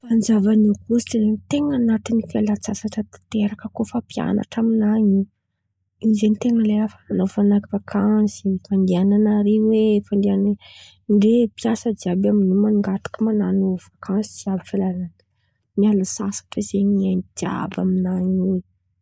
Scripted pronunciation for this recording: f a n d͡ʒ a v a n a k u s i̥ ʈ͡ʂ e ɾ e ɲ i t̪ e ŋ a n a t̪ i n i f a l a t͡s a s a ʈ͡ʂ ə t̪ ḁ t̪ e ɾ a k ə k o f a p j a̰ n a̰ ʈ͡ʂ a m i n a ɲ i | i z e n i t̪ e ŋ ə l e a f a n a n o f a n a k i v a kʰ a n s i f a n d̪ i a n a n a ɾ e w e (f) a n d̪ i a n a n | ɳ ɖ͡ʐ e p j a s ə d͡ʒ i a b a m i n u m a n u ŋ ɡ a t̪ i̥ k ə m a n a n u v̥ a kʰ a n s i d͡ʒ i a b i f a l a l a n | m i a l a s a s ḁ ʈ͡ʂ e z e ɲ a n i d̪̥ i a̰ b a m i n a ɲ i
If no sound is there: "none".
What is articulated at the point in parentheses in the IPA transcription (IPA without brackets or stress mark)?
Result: f